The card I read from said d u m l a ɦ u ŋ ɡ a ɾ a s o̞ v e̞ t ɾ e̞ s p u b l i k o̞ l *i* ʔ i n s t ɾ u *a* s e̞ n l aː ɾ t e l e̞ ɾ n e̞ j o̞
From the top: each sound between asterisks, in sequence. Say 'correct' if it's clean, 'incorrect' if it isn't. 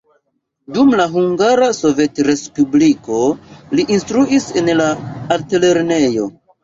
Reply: correct, incorrect: i

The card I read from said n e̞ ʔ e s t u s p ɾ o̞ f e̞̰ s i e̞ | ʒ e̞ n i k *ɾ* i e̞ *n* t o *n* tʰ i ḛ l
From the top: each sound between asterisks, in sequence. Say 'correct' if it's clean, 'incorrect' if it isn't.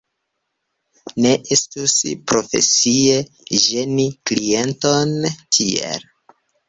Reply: incorrect: l, correct, correct

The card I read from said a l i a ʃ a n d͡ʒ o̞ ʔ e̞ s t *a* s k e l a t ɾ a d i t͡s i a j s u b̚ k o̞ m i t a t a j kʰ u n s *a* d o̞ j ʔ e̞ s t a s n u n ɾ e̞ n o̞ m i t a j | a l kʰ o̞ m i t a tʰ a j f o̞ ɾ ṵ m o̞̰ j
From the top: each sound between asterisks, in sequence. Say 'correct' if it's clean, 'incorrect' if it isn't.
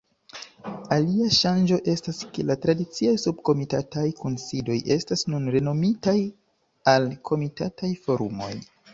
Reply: correct, incorrect: i

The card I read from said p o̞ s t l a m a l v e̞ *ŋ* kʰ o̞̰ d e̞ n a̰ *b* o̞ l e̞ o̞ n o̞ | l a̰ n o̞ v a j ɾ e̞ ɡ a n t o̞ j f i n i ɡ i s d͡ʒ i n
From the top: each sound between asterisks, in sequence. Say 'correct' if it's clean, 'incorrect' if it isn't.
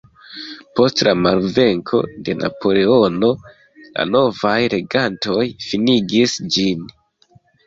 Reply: correct, incorrect: p

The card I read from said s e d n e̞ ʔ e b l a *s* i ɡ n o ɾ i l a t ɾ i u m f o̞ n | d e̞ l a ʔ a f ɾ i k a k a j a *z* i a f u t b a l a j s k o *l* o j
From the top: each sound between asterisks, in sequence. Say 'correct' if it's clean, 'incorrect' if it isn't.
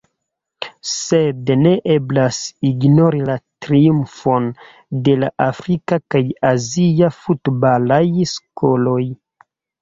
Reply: correct, correct, correct

